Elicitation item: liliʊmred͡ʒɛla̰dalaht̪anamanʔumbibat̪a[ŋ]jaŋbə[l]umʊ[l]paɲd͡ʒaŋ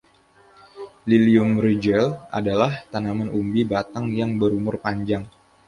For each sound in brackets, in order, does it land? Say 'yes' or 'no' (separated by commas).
yes, no, no